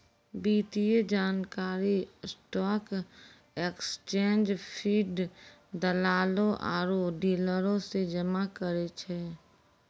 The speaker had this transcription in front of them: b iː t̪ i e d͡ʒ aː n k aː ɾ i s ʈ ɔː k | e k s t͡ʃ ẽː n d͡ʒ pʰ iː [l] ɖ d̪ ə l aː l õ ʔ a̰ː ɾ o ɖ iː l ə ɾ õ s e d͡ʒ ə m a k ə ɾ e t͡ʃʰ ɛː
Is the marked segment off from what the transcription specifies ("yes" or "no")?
yes